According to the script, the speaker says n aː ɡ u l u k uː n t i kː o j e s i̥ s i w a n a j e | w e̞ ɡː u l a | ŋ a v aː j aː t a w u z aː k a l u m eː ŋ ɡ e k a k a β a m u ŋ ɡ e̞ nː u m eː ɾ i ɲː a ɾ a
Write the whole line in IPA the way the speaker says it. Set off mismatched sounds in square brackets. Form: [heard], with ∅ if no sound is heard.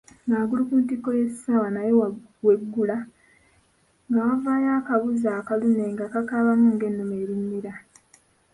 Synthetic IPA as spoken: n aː ɡ u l u k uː n t i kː o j e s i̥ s [a] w a n a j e | w e̞ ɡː u l a | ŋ a v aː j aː [k] a [β] u z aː k a l u [n] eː ŋ ɡ [a] k a k a β a m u ŋ ɡ e̞ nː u m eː ɾ i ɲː [i] ɾ a